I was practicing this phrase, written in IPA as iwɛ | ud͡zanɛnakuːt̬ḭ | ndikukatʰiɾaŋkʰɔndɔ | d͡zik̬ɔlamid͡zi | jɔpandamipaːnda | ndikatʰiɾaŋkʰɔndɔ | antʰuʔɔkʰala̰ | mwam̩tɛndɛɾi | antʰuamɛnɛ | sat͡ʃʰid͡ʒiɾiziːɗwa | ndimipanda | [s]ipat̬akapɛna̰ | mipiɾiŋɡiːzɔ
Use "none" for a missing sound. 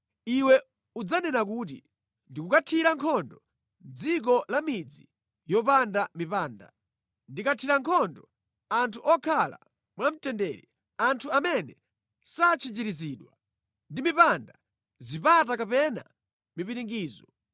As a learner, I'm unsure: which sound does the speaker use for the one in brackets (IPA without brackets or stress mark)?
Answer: z